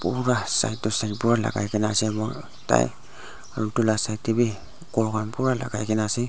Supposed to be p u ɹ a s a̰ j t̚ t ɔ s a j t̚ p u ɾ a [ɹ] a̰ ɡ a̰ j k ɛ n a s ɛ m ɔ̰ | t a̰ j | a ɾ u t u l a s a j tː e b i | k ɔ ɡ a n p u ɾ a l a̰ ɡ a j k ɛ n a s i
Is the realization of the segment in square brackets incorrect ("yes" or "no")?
yes